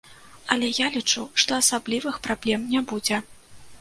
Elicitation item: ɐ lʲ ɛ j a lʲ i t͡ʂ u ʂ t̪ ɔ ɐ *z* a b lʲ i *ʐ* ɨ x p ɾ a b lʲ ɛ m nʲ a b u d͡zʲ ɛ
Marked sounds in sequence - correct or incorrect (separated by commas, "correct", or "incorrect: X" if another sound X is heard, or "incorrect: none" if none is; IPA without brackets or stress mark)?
incorrect: s, incorrect: v